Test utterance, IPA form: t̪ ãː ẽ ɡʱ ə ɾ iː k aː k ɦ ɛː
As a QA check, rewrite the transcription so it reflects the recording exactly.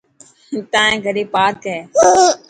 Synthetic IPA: t̪ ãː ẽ ɡʱ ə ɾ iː p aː k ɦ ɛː